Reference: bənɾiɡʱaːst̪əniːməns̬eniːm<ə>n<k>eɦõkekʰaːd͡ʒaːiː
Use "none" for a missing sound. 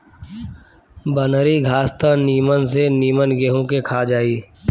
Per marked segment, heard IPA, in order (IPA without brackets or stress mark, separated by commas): ə, ɡ